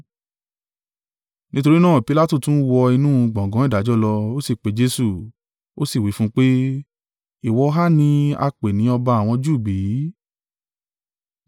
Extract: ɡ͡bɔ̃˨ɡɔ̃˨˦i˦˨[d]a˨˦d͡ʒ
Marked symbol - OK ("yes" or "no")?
yes